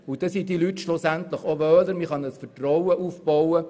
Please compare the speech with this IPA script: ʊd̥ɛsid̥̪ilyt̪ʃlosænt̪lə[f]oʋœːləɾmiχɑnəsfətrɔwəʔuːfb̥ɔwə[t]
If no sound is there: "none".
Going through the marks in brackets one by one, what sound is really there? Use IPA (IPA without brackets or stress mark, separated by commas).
χ, none